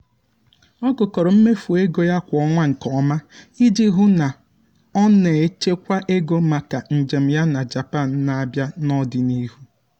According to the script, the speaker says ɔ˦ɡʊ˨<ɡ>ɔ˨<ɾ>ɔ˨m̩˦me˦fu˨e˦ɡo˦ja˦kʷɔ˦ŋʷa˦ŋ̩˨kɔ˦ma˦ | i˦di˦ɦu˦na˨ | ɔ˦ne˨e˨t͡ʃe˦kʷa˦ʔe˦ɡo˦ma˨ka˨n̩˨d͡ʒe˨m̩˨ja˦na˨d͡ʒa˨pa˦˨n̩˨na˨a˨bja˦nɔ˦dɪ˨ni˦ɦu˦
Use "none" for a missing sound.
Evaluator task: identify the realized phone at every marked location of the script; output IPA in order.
k, ɾ

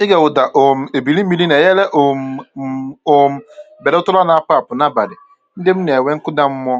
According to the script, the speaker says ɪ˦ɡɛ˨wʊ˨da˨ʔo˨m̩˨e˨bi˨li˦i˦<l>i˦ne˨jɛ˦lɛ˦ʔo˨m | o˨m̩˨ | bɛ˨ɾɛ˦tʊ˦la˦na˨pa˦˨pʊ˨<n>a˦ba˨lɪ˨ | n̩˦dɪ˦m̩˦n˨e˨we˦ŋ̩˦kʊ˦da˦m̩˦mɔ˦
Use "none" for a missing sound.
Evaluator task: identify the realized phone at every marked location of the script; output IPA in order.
l, n

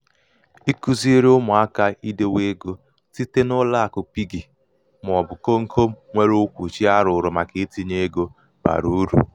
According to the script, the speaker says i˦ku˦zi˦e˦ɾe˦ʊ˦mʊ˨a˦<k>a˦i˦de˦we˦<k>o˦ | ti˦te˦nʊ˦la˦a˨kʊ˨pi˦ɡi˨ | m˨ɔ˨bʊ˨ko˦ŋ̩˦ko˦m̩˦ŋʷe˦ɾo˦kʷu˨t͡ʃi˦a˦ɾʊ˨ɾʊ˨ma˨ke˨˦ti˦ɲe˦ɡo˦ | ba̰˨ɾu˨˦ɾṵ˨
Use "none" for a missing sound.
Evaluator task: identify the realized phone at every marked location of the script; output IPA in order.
k, ɡ

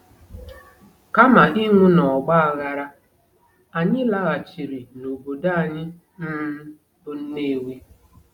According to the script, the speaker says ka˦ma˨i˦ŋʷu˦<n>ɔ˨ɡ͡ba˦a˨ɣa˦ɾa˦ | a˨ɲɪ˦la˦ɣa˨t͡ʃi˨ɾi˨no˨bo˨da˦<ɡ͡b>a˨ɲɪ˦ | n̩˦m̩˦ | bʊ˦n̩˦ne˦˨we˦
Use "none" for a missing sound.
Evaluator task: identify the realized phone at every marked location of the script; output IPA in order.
n, none

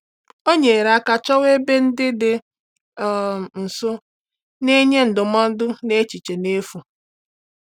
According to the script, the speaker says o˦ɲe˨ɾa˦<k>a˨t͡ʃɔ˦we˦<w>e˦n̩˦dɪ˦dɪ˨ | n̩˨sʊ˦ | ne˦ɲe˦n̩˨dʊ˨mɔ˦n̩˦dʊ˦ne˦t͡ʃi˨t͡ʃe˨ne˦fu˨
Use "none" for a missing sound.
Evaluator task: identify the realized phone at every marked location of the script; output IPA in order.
k, b

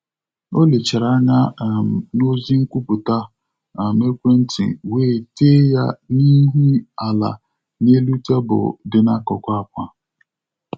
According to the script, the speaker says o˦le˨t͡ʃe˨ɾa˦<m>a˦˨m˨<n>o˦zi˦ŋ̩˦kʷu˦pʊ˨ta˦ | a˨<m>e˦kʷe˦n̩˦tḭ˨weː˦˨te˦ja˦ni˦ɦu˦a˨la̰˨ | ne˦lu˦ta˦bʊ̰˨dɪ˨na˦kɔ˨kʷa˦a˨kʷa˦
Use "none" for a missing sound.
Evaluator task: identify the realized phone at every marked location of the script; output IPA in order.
ɲ, n, m

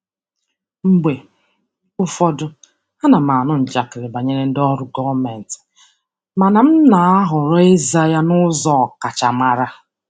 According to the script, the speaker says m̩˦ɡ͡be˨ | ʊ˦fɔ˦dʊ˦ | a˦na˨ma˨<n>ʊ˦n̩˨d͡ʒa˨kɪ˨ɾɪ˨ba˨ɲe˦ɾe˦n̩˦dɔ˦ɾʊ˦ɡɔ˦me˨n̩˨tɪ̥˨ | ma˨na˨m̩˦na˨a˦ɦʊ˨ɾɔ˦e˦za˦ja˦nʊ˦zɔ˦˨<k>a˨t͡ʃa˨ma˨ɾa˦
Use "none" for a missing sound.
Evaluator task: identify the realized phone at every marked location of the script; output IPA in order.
n, k

